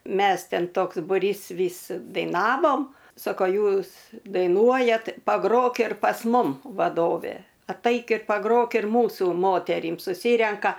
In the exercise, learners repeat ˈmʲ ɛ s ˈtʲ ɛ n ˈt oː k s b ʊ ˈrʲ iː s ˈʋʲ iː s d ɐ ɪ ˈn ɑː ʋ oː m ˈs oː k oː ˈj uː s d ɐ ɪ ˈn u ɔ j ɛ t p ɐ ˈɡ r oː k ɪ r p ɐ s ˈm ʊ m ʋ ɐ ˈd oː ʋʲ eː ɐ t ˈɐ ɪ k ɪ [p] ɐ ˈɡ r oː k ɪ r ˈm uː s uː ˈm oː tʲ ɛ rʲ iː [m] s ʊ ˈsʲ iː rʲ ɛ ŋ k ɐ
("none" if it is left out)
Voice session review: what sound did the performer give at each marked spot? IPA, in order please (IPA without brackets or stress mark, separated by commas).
p, m